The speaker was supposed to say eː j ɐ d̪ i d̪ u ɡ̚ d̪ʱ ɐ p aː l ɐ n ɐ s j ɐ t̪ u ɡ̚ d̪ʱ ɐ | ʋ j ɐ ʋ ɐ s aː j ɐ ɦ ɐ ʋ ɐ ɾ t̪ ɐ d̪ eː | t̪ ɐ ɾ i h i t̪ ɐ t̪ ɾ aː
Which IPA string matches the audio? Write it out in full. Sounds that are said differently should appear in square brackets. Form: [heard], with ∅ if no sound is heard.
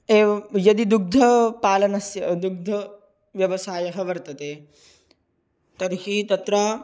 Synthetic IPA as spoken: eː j ɐ d̪ i d̪ u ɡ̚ d̪ʱ ɐ p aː l ɐ n ɐ s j ɐ [d̪] u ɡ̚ d̪ʱ ɐ | ʋ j ɐ ʋ ɐ s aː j ɐ ɦ ɐ ʋ ɐ ɾ t̪ ɐ [t̪] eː | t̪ ɐ ɾ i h i t̪ ɐ t̪ ɾ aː